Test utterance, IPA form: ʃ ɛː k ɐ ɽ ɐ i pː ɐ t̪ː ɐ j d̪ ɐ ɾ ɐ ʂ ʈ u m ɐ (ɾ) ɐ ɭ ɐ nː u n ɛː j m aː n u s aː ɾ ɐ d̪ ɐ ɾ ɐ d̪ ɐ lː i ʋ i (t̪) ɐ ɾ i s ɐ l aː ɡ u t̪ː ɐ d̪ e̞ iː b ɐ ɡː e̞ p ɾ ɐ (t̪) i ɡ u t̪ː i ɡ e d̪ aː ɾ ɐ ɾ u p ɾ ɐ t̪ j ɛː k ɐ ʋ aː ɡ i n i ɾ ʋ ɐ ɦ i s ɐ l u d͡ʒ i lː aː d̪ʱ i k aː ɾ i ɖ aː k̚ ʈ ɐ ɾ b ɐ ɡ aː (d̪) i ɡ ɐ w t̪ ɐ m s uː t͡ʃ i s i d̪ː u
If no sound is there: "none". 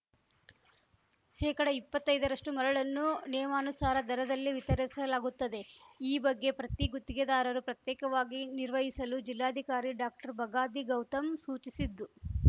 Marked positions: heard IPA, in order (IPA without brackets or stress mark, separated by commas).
ɾ, t̪, t̪, d̪